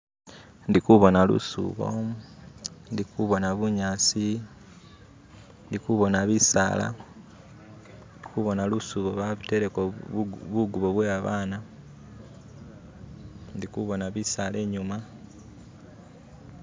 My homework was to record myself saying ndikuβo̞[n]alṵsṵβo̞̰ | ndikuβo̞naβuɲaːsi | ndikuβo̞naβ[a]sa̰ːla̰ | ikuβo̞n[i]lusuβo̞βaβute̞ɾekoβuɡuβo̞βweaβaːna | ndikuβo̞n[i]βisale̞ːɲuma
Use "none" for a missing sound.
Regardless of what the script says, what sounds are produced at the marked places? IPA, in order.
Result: n, i, a, a

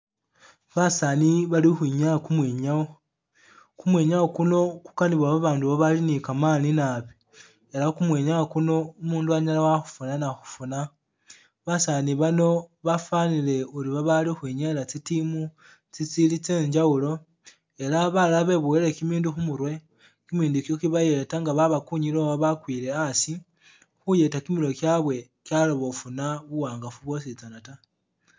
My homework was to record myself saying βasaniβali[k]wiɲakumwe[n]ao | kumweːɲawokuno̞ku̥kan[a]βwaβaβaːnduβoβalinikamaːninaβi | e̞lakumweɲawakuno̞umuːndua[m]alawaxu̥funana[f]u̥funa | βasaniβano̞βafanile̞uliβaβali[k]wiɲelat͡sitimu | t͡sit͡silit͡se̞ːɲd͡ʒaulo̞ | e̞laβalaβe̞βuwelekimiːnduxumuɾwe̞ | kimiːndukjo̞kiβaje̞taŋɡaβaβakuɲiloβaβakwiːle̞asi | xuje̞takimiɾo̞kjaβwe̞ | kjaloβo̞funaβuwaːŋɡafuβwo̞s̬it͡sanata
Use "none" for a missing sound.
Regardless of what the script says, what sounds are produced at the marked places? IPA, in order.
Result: x, ɲ, i, ɲ, x, x

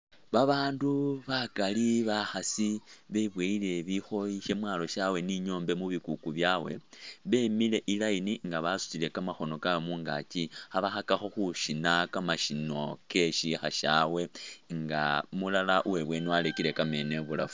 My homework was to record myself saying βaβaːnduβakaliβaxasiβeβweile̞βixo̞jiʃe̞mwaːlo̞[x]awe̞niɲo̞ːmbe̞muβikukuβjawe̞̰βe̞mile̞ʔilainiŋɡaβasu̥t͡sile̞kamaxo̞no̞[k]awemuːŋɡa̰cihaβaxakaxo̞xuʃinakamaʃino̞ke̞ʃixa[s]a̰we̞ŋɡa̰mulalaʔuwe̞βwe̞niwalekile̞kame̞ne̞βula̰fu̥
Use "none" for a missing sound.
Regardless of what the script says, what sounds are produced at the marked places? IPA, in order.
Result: ʃ, k, ʃ

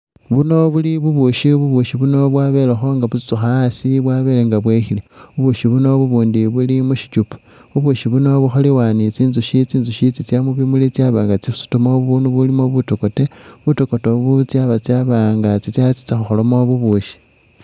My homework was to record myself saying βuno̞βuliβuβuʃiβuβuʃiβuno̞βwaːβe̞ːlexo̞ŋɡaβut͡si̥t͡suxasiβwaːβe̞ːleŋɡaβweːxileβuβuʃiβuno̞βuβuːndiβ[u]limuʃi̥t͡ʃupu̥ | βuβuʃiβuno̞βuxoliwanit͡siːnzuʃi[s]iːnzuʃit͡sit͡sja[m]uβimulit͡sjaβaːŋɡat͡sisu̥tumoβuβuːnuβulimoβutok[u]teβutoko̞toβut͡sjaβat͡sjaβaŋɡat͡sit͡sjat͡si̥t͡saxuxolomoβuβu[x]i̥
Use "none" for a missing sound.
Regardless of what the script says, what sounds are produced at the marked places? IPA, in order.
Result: u, t͡s, m, o, ʃ

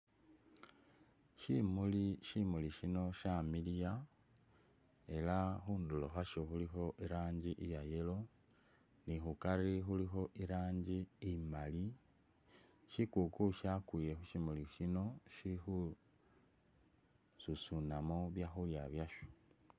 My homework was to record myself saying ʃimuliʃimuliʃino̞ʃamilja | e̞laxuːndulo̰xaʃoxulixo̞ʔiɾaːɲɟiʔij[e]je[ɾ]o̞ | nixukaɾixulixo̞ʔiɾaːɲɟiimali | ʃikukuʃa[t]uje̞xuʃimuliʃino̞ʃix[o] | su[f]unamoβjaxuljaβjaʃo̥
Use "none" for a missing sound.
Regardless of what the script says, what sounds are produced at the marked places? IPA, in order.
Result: a, l, k, u, s

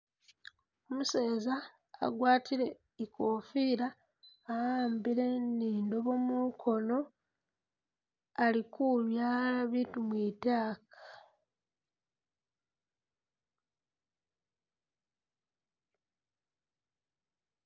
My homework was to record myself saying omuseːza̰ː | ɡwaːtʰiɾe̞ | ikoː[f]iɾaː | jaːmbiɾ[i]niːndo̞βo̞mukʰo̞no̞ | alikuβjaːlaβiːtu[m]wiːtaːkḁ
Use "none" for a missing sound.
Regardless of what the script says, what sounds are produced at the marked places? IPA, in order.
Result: f, e, m

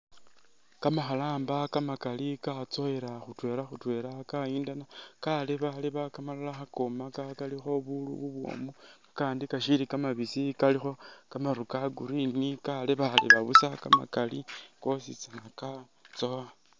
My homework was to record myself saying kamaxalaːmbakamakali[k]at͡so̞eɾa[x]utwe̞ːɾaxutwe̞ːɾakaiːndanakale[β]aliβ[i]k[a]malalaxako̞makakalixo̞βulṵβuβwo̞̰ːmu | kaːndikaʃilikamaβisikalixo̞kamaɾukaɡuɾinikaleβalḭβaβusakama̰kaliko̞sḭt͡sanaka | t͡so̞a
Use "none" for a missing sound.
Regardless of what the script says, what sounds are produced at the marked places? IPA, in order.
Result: k, x, β, a, a

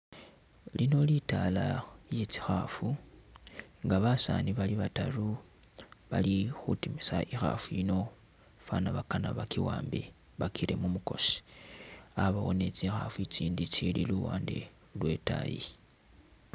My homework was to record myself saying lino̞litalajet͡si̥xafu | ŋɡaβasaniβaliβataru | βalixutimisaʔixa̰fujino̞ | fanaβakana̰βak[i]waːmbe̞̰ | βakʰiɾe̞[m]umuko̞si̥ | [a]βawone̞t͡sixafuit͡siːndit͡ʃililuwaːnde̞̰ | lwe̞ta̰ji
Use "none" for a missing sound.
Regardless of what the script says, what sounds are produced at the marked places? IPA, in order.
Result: i, m, a

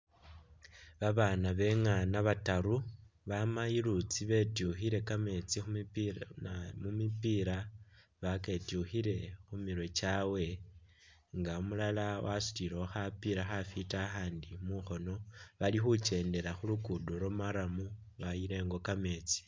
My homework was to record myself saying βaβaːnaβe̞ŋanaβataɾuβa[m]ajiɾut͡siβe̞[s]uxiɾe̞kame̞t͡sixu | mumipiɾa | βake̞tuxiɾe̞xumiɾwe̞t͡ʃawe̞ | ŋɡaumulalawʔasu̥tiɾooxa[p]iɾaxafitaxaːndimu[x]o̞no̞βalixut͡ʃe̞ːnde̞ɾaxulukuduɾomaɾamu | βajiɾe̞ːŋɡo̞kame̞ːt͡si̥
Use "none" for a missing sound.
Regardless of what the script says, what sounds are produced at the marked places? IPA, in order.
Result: m, t, p, x

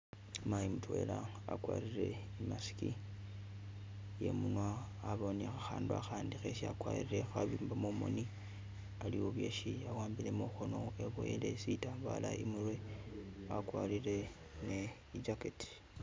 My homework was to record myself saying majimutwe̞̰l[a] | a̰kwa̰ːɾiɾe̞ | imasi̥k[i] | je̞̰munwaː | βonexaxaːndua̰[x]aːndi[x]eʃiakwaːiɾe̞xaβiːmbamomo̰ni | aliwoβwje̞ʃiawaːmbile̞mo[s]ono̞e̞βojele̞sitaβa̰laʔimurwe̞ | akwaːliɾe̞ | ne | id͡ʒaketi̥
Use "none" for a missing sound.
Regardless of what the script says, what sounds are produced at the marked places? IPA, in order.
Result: a, i, x, x, x

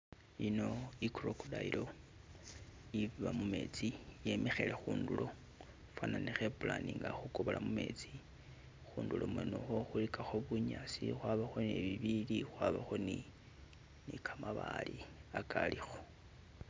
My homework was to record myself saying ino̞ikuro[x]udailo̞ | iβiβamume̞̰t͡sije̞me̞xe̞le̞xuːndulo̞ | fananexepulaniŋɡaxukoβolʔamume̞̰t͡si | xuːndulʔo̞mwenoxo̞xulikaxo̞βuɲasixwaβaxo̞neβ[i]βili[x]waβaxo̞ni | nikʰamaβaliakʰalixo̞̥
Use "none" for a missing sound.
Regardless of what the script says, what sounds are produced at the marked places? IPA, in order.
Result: k, i, x

